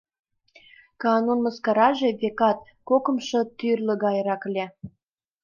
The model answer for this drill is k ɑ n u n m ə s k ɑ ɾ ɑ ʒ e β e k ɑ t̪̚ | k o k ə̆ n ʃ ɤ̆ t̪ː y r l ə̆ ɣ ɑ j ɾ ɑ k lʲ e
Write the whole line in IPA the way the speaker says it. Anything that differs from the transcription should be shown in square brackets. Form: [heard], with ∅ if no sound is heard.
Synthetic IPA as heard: k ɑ n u n m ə s k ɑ ɾ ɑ ʒ e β e k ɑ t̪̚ | k o k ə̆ [m] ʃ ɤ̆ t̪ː y r l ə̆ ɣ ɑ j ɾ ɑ k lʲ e